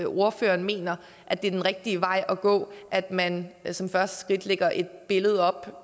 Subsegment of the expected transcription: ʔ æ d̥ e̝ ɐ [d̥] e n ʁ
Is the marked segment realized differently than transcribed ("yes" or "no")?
no